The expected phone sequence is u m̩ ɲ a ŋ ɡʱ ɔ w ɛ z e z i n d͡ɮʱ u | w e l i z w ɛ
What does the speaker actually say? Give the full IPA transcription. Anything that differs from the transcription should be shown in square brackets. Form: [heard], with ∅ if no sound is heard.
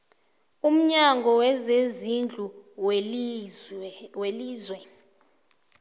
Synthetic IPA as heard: u m̩ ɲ a ŋ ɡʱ ɔ w ɛ z e z i n d͡ɮʱ u | w e l [iː] z w ɛ